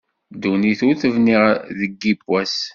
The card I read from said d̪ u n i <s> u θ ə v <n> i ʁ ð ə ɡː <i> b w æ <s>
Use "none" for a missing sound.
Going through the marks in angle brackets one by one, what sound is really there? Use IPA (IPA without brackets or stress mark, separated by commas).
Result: θ, n, i, s